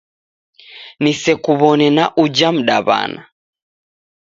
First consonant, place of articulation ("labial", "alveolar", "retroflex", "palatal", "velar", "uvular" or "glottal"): alveolar